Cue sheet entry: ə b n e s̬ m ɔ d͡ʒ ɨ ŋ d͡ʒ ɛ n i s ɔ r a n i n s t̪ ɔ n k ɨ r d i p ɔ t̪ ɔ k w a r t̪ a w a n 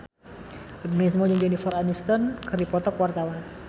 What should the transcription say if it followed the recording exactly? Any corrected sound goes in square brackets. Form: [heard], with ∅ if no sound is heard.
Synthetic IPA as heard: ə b n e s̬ m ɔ d͡ʒ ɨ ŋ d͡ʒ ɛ n i [f] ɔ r a n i [∅] s t̪ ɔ n k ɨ r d i p ɔ t̪ ɔ k w a r t̪ a w a n